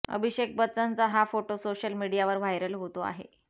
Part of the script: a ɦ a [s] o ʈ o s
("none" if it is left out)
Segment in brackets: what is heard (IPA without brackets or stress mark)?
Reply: f